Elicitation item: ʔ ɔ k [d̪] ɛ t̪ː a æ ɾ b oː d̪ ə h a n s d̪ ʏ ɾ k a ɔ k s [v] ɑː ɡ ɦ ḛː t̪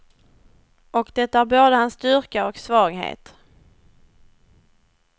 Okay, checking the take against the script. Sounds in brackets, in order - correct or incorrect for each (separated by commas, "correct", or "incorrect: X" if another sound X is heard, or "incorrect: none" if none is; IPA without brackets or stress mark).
correct, correct